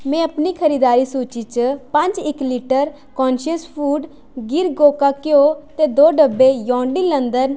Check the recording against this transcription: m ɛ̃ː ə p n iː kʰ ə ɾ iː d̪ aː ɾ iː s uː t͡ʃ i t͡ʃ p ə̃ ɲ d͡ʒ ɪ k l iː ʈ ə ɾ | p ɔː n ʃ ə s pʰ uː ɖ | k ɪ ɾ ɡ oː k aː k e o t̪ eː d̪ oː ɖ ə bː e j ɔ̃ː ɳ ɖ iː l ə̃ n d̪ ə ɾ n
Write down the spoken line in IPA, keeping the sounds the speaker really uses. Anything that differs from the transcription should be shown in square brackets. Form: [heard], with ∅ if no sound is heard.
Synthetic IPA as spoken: m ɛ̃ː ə p n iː kʰ ə ɾ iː d̪ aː ɾ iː s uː t͡ʃ i t͡ʃ p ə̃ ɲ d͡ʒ ɪ k l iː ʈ ə ɾ | [k] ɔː n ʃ ə s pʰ uː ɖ | [ɡ] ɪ ɾ ɡ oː k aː k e o t̪ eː d̪ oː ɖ ə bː e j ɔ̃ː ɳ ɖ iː l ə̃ n d̪ ə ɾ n